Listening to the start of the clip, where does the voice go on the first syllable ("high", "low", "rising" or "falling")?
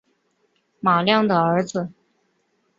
low